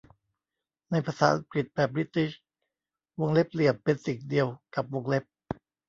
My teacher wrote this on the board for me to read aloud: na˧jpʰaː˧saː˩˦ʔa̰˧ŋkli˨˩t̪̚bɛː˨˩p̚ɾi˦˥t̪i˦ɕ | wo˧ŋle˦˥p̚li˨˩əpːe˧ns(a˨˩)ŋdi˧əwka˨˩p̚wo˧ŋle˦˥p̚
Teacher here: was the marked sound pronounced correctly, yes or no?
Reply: no